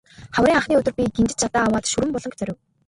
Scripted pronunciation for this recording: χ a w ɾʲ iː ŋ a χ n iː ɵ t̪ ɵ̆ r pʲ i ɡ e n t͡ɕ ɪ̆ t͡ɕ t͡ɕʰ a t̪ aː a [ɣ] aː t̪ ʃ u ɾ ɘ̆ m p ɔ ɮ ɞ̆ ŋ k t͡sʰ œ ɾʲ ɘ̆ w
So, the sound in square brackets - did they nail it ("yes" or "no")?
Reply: no